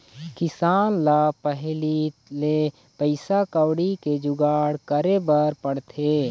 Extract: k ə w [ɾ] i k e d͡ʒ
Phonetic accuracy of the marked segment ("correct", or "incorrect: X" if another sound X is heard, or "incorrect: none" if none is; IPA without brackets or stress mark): incorrect: ɽ